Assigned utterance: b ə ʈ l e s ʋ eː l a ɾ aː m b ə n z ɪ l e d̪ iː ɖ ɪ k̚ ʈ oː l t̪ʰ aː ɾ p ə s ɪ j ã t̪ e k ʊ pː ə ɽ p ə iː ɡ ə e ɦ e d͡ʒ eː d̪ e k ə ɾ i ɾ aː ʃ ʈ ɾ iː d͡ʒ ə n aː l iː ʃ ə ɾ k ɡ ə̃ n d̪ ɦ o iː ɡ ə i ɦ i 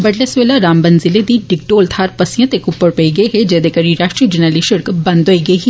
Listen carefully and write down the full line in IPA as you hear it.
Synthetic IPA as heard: b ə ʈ l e s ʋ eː l a ɾ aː m b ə n z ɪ l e d̪ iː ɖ ɪ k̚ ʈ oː l t̪ʰ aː ɾ p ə s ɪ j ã t̪ e k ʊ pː ə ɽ p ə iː ɡ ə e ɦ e d͡ʒ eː d̪ e k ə ɾ i ɾ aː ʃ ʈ ɾ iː d͡ʒ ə n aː l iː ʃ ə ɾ k b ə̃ n d̪ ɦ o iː ɡ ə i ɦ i